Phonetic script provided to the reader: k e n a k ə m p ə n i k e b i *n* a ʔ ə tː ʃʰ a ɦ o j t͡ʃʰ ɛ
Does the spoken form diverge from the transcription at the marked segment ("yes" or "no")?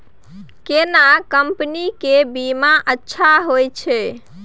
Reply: yes